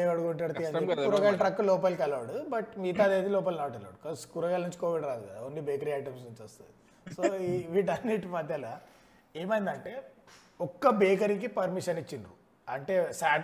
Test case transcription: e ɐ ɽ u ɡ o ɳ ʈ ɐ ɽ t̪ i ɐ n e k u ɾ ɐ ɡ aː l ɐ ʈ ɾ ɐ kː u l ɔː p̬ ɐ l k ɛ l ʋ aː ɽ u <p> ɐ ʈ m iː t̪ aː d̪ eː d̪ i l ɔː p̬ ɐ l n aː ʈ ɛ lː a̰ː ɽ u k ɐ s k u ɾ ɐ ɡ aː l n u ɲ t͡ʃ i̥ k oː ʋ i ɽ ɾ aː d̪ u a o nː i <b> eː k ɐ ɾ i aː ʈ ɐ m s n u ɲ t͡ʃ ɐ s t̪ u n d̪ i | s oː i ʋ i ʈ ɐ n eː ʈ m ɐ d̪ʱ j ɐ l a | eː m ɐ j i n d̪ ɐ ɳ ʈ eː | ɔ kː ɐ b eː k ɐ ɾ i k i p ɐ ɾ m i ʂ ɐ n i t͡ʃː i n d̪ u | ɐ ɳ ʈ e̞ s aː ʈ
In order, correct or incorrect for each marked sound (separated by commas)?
incorrect, correct